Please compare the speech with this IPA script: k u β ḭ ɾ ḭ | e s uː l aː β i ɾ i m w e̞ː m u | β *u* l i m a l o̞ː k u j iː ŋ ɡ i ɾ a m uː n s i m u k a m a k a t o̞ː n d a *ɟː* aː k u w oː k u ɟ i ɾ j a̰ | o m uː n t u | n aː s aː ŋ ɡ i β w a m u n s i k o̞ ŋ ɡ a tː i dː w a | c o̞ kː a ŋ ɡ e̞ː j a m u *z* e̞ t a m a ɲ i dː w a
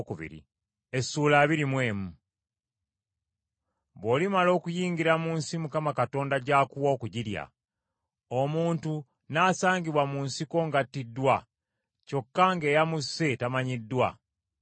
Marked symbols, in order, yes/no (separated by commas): no, no, no